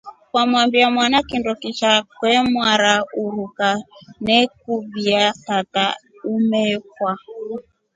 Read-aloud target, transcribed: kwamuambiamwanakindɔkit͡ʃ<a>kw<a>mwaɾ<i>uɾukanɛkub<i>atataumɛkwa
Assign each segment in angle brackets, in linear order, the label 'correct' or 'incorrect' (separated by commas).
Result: correct, incorrect, incorrect, correct